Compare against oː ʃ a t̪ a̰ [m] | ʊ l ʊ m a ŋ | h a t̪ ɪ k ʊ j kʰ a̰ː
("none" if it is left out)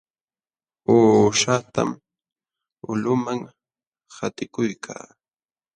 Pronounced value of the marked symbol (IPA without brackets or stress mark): m